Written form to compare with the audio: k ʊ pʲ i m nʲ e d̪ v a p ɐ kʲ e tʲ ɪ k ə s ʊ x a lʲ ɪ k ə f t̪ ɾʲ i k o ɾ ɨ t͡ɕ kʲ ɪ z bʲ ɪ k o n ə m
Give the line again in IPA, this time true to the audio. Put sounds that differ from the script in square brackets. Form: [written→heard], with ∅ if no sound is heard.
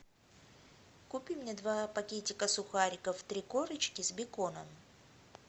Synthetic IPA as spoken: k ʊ pʲ i m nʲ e d̪ v a p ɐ kʲ e tʲ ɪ k ə s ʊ x a [lʲ→ɾʲ] ɪ k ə f t̪ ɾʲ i k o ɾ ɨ t͡ɕ kʲ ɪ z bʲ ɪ k o n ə m